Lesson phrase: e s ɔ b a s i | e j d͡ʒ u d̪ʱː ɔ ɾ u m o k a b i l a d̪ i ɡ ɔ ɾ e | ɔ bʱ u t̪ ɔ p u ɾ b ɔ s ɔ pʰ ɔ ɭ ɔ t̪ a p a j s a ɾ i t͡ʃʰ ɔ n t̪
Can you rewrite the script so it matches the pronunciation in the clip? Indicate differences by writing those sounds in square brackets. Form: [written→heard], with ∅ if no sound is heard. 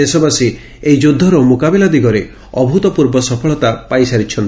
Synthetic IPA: e s ɔ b a s i | e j d͡ʒ u d̪ʱː ɔ ɾ [u→ɔ] m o k a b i l a d̪ i ɡ ɔ ɾ e | ɔ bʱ u t̪ ɔ p u ɾ b ɔ s ɔ pʰ ɔ ɭ ɔ t̪ a p a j s a ɾ i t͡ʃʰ ɔ n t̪